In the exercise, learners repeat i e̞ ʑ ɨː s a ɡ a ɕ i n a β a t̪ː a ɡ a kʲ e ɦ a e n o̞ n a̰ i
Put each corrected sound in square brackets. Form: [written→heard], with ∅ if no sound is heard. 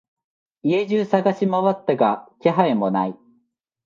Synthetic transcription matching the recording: i e̞ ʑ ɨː s a ɡ a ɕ i [n→m] a β a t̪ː a ɡ a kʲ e ɦ a e [n→m] o̞ n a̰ i